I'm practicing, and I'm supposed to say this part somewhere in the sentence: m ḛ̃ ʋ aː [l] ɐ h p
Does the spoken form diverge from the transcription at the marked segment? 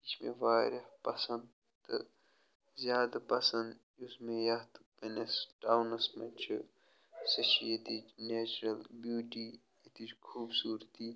yes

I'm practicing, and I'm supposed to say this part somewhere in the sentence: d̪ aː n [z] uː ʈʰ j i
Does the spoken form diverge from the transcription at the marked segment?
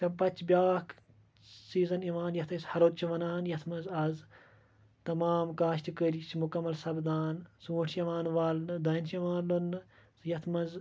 yes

